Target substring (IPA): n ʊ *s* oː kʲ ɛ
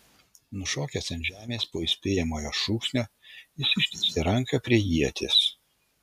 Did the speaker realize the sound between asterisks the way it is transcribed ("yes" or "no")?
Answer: no